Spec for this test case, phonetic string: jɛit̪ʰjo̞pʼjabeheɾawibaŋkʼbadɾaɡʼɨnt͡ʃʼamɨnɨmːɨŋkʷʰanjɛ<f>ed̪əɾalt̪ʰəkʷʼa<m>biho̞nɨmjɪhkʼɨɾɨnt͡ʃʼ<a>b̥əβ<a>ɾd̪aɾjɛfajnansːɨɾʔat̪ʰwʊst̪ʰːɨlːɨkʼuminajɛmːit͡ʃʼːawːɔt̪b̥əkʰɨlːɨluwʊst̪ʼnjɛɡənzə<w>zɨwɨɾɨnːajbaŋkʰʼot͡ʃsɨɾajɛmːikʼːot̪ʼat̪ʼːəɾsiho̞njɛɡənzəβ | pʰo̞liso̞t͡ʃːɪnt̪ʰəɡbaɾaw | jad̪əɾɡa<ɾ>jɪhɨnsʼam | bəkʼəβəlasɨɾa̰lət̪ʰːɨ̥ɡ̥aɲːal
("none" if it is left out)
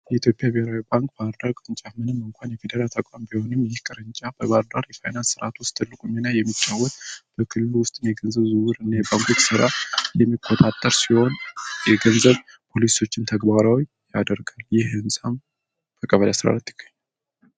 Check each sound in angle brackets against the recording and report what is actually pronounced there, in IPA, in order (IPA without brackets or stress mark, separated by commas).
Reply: f, m, a, a, β, l